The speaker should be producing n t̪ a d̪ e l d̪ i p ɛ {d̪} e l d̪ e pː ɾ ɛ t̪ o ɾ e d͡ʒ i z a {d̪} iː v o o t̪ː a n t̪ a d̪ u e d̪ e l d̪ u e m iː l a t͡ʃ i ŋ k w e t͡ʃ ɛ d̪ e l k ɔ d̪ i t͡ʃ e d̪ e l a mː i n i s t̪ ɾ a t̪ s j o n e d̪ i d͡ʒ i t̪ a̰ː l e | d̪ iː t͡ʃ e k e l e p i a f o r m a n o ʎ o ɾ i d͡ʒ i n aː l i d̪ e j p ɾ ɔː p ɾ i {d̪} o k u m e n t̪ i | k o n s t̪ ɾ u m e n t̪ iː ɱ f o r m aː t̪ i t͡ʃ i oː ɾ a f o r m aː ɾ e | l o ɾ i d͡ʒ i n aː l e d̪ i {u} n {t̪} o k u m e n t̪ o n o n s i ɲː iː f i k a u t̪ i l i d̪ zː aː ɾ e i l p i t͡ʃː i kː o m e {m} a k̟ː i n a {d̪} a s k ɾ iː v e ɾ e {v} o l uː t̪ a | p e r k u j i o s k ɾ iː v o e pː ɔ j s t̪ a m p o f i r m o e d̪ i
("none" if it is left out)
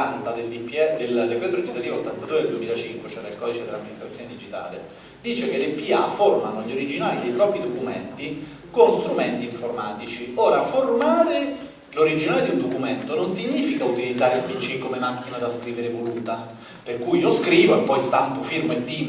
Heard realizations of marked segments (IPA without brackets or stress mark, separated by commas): d̪, t̪, d̪, u, d̪, m, d̪, v